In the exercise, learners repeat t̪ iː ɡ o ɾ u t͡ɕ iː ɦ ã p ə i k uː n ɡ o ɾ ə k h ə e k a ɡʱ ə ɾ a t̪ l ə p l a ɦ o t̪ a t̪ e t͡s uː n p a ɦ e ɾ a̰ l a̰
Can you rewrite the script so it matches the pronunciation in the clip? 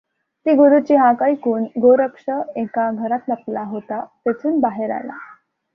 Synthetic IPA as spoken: t̪ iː ɡ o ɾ u t͡ɕ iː ɦ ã k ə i k uː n ɡ o ɾ ə k ʂ ə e k a ɡʱ ə ɾ a t̪ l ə p l a ɦ o t̪ a t̪ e t͡s uː n b a ɦ e ɾ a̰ l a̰